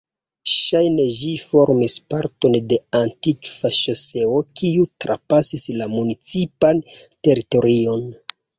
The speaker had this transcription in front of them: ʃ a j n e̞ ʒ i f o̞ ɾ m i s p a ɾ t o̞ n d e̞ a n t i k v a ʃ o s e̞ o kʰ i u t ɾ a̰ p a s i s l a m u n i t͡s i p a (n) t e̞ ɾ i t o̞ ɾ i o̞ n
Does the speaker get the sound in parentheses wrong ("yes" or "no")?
no